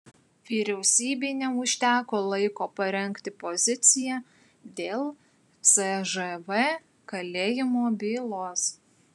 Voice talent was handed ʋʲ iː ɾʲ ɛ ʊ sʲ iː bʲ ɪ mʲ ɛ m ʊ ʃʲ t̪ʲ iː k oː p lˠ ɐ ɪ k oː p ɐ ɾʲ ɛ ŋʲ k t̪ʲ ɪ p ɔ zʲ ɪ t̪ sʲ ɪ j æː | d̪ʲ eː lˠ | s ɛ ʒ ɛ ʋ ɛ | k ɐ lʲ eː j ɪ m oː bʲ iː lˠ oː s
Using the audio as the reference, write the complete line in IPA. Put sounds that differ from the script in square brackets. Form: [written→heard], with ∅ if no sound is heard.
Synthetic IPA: ʋʲ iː ɾʲ ɛ ʊ sʲ iː bʲ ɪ [mʲ→nʲ] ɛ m ʊ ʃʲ t̪ʲ [iː→æː] k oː [p→∅] lˠ ɐ ɪ k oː p ɐ ɾʲ ɛ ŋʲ k t̪ʲ ɪ p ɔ zʲ ɪ t̪ sʲ ɪ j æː | d̪ʲ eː lˠ | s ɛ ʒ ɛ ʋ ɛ | k ɐ lʲ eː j ɪ m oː bʲ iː lˠ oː s